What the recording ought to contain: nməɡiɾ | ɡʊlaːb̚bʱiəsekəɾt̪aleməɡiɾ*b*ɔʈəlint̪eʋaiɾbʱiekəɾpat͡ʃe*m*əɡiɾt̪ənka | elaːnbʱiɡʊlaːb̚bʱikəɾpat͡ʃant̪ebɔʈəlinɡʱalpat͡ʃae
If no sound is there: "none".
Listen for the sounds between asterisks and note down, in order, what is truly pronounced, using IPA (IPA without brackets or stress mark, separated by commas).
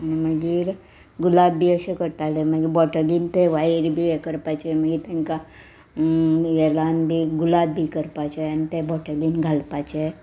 b, m